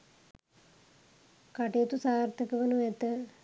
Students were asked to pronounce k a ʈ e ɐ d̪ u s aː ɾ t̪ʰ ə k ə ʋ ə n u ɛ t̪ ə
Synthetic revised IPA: k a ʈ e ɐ t̪ u s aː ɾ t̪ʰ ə k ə ʋ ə n u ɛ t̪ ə